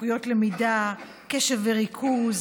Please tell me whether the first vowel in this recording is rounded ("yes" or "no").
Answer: yes